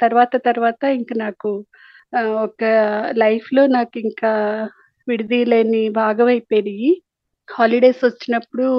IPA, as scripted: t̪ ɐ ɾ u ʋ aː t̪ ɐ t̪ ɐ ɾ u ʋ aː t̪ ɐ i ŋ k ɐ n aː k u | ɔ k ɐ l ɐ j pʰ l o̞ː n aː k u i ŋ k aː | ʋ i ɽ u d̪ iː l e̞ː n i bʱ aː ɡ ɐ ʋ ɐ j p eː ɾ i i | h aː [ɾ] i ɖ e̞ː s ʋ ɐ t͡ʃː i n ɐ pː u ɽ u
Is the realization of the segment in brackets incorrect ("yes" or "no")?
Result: yes